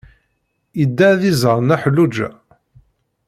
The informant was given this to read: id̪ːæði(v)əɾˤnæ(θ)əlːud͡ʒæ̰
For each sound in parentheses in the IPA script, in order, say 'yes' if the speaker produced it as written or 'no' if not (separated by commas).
no, no